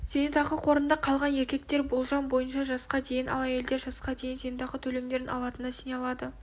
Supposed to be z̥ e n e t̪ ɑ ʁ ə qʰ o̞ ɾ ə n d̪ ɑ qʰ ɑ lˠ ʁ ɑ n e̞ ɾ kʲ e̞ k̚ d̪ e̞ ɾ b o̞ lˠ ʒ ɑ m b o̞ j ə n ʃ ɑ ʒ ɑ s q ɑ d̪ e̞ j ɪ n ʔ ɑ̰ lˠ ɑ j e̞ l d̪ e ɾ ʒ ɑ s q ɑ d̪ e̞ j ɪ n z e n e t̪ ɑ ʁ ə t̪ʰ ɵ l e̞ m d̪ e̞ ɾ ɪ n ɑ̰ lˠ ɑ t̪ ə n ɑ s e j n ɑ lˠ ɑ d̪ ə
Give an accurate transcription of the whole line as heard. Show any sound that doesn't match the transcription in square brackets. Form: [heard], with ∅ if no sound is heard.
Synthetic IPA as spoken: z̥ e n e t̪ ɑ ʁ ə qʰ o̞ ɾ ə n d̪ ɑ qʰ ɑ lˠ ʁ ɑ n e̞ ɾ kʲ e̞ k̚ [t̪] e̞ ɾ b o̞ lˠ ʒ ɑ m b o̞ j ə n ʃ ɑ ʒ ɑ s q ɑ d̪ e̞ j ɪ n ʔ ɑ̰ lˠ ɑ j e̞ l d̪ e ɾ ʒ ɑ s q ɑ d̪ e̞ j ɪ n z e n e t̪ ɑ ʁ ə t̪ʰ ɵ l e̞ m d̪ e̞ ɾ ɪ n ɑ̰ lˠ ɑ t̪ ə n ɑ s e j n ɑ lˠ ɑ d̪ ə